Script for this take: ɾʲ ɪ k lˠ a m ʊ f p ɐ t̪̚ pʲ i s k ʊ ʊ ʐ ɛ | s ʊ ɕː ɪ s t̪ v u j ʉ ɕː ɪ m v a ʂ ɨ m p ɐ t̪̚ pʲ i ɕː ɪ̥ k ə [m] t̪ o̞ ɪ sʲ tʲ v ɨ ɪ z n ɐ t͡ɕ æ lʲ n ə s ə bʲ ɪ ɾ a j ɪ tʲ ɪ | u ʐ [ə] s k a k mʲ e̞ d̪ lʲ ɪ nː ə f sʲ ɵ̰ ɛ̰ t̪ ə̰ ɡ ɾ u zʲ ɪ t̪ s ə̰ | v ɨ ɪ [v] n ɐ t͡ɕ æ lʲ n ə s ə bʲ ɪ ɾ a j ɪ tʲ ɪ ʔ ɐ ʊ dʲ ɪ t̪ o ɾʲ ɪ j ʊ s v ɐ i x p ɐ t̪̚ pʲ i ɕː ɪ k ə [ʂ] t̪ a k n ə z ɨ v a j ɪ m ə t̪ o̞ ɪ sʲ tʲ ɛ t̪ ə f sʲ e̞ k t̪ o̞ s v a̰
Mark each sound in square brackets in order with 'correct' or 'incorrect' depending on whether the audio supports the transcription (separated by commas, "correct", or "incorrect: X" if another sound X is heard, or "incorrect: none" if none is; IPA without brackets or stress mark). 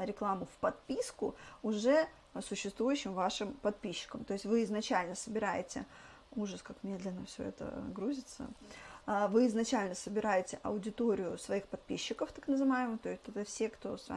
correct, correct, incorrect: z, incorrect: f